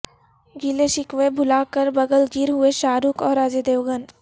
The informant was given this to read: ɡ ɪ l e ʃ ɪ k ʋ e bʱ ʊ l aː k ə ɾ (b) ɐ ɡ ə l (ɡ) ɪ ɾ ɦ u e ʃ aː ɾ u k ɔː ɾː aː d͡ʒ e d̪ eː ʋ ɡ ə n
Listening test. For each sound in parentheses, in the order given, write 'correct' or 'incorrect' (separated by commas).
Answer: correct, correct